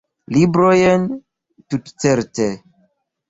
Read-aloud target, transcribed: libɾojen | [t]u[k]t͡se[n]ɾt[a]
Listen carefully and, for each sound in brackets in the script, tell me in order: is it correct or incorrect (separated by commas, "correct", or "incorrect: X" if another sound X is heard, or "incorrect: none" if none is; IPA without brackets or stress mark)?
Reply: correct, incorrect: t, incorrect: none, incorrect: e